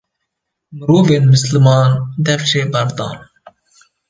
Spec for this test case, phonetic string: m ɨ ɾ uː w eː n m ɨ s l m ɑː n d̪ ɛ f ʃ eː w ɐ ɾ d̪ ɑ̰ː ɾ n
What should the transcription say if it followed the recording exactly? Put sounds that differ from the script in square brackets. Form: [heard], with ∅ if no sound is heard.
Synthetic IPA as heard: m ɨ ɾ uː [v] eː n m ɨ s l m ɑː n d̪ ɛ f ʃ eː [b] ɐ ɾ d̪ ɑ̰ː [∅] n